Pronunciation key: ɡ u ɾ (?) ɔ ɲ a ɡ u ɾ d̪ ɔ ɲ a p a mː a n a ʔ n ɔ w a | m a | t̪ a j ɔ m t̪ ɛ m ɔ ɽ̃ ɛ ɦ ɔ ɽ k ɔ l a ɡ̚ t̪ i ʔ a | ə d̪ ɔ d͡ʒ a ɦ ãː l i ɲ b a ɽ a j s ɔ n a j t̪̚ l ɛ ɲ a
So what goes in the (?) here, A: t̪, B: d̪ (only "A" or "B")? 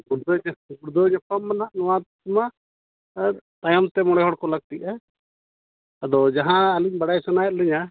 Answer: B